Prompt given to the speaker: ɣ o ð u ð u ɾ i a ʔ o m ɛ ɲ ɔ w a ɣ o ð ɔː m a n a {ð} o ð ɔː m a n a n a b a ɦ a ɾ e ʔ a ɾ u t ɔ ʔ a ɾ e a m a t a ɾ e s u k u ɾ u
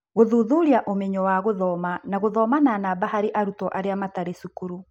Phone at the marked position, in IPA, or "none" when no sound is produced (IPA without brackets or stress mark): ɣ